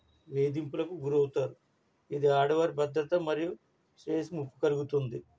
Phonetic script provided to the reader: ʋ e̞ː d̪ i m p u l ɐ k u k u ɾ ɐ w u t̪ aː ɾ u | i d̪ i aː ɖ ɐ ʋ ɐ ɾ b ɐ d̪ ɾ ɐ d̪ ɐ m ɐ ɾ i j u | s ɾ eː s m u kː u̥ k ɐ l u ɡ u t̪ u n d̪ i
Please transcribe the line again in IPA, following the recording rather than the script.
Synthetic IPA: ʋ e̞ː d̪ i m p u l ɐ k u ɡ u ɾ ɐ w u t̪ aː ɾ u | i d̪ i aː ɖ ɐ ʋ ɐ ɾ b ɐ d̪ ɾ ɐ t̪ ɐ m ɐ ɾ i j u | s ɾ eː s m u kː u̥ k ɐ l u ɡ u t̪ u n d̪ i